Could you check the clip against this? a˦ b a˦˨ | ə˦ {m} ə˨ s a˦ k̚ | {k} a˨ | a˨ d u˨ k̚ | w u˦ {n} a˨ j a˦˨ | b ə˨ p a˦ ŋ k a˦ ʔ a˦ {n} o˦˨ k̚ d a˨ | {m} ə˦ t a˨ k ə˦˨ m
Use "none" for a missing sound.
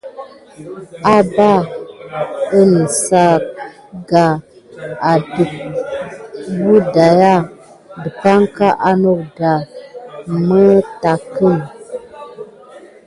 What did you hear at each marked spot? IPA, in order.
n, ɡ, d, n, m

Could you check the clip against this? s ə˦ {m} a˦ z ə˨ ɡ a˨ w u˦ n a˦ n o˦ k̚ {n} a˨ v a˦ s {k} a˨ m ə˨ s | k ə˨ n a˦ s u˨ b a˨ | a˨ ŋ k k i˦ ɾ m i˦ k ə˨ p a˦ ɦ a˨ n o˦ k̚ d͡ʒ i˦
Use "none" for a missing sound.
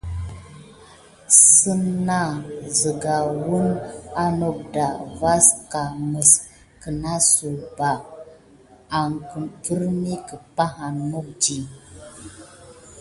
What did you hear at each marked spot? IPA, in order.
n, d, k

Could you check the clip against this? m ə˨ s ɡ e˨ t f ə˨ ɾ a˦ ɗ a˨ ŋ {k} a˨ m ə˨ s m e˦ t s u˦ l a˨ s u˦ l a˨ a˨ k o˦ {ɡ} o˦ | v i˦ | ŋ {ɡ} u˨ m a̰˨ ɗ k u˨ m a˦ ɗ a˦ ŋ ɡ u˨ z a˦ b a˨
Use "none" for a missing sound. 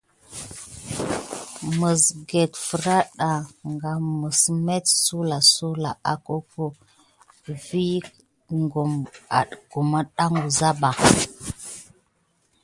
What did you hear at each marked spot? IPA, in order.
ɡ, k, ɡ

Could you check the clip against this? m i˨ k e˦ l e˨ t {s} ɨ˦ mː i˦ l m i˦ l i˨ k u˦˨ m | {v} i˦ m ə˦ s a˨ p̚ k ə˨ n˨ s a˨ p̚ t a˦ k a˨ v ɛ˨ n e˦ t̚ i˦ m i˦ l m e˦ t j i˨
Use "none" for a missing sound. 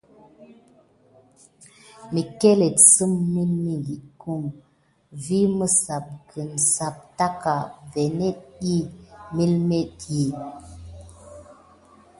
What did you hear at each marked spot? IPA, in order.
s, v

